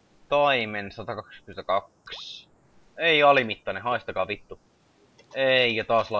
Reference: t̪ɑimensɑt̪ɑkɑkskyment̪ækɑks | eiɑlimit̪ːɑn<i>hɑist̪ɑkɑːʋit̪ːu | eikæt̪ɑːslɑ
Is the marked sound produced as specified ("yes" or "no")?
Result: no